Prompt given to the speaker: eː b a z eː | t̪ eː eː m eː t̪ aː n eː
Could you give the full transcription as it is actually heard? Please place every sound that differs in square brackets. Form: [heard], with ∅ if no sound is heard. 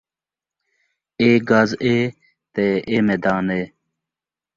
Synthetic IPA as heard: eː [ɡ] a z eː | t̪ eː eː m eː [d̪] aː n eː